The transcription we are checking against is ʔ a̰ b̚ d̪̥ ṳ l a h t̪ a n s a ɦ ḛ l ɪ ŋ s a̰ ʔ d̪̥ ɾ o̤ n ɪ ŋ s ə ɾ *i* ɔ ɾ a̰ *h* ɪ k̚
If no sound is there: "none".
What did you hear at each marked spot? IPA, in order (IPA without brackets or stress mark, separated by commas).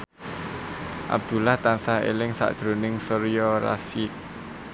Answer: j, s